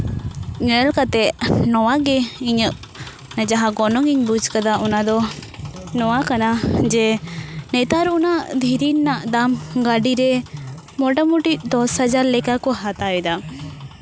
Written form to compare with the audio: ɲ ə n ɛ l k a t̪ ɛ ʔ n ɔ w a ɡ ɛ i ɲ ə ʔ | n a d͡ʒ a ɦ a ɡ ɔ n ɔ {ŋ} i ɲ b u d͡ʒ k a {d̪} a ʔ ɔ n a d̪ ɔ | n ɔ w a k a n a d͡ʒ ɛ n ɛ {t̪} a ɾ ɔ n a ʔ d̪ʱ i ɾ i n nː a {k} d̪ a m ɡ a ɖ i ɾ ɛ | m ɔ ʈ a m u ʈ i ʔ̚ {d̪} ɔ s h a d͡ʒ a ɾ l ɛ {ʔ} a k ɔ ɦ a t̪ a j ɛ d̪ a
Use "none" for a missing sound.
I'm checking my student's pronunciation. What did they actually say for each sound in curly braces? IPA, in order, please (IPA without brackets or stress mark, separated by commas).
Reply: ŋ, d̪, t̪, ʔ, d̪, k